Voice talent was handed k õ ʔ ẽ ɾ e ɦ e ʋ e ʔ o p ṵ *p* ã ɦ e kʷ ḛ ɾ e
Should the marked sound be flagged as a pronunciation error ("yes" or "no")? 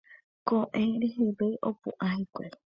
yes